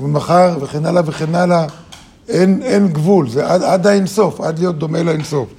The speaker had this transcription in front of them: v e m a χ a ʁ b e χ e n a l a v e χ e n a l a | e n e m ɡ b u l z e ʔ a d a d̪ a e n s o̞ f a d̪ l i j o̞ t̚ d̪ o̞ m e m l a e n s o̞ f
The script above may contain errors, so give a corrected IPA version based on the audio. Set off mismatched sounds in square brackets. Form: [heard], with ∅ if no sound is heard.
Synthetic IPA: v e m a χ a ʁ [v] e χ e n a l a v e χ e n a l a | e n e [n] ɡ [v] u l z e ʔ a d a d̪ a e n s o̞ f a d̪ l i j o̞ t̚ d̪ o̞ m e [∅] l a e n s o̞ f